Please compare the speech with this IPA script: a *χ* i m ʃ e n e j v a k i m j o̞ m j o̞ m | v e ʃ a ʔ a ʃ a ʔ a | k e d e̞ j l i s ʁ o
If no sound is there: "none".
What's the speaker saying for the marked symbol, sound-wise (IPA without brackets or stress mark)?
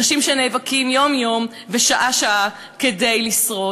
ʃ